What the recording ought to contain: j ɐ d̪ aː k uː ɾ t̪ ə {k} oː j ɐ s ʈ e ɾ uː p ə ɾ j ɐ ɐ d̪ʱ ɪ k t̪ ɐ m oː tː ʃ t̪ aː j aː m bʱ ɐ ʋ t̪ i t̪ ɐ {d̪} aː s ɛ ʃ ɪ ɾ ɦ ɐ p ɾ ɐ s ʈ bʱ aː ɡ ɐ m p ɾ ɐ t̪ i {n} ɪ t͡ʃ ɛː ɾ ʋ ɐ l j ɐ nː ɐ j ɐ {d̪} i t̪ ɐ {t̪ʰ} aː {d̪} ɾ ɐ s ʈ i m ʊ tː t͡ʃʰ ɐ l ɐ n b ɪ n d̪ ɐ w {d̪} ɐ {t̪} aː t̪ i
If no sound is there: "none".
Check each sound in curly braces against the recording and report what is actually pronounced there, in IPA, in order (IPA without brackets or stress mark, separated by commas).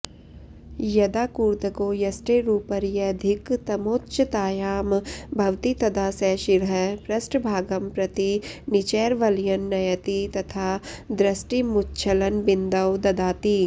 k, d̪, n, t̪, t̪ʰ, d̪, d̪, d̪